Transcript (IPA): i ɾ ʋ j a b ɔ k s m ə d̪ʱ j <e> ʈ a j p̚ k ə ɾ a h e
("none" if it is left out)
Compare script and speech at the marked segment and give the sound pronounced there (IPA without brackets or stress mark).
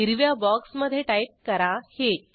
e